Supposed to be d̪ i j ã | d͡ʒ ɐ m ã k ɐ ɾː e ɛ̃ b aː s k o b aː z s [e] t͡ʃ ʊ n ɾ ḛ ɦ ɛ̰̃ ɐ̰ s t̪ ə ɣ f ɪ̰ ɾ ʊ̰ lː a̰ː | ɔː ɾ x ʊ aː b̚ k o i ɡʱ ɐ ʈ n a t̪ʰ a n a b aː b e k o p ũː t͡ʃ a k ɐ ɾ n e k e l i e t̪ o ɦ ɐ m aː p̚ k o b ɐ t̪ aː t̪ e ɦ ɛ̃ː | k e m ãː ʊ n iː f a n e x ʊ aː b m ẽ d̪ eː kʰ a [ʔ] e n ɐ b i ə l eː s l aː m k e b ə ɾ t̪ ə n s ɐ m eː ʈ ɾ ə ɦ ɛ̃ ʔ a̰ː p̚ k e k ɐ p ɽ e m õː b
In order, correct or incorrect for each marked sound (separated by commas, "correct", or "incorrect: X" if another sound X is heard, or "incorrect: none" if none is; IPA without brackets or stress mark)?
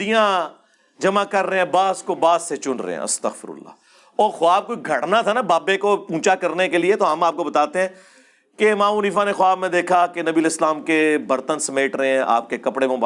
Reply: correct, incorrect: k